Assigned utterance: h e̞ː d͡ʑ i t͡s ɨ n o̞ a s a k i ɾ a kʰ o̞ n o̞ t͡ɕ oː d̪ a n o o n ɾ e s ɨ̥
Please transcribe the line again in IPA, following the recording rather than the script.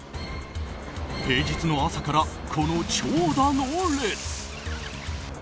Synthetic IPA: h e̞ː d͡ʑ i t͡s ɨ n o̞ a s a k a ɾ a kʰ o̞ n o̞ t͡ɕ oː d̪ a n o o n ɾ e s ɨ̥